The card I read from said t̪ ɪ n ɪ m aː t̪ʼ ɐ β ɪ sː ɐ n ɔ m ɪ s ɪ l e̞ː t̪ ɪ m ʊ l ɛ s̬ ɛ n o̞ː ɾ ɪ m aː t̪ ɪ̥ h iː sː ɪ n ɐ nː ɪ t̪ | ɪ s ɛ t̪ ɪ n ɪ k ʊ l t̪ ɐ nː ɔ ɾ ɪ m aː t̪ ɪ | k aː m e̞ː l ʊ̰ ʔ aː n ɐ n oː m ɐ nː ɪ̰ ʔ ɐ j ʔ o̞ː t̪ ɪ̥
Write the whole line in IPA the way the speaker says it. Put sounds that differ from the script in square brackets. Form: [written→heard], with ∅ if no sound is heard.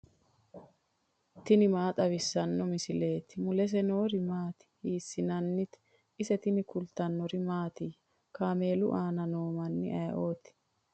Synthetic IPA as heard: t̪ ɪ n ɪ m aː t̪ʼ ɐ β ɪ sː ɐ [n→nː] ɔ m ɪ s ɪ l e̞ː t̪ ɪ m ʊ l ɛ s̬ ɛ n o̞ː ɾ ɪ m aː t̪ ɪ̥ h iː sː ɪ n ɐ nː ɪ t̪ | ɪ s ɛ t̪ ɪ n ɪ k ʊ l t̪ ɐ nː ɔ ɾ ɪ m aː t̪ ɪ | k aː m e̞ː l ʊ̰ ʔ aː n ɐ n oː m ɐ nː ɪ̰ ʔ ɐ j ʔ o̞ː t̪ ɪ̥